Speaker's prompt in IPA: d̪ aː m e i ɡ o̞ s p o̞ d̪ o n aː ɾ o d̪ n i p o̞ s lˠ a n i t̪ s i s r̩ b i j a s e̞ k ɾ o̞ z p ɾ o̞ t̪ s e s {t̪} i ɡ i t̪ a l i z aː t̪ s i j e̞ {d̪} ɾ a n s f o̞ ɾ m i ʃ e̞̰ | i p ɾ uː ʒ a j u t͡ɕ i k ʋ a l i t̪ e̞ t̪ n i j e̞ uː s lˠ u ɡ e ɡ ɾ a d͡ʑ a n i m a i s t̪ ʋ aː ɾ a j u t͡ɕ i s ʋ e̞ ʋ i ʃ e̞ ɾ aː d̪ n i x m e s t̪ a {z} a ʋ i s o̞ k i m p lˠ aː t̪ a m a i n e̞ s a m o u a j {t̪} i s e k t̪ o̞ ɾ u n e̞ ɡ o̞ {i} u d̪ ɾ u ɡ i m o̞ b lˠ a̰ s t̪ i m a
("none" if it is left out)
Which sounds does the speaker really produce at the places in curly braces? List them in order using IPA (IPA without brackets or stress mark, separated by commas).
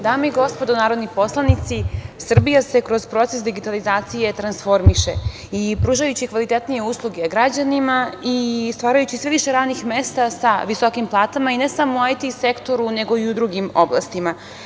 d̪, t̪, s, t̪, i